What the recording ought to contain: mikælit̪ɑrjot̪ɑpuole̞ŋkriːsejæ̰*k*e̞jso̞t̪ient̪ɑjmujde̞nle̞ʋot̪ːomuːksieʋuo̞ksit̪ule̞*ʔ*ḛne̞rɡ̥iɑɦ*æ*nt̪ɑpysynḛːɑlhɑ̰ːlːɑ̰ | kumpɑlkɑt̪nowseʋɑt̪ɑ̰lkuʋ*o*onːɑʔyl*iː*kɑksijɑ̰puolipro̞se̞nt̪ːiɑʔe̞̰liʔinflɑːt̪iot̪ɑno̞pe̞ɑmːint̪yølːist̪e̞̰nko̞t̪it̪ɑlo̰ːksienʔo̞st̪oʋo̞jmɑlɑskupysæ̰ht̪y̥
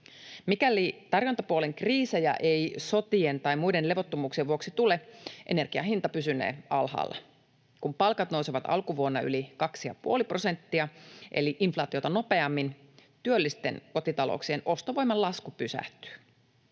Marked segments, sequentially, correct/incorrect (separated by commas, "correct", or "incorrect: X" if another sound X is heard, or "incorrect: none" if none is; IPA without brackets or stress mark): incorrect: ʔ, correct, incorrect: i, incorrect: u, incorrect: i